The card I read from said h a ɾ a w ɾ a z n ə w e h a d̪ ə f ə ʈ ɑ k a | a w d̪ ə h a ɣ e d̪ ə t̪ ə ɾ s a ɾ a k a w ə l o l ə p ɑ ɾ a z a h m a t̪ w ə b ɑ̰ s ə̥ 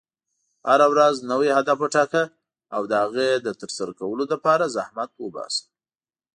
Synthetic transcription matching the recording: h a ɾ a w ɾ a z n ə w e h a d̪ a f ə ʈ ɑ k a | a w d̪ ə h a ɣ e d̪ ə t̪ ə ɾ s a ɾ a k a w ə l o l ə p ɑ ɾ a z a h m a t̪ w ə b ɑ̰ s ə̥